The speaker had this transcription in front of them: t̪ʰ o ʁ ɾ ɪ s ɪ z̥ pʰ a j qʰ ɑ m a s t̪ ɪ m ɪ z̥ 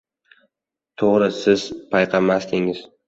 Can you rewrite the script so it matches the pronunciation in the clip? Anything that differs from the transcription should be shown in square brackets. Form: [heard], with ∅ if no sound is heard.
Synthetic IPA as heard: t̪ʰ o ʁ ɾ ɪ s ɪ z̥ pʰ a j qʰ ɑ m a s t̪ ɪ [ŋ] ɪ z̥